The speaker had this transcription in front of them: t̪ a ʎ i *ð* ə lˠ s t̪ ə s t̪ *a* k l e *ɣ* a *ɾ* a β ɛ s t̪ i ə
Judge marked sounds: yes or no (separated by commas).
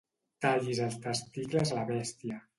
no, no, no, no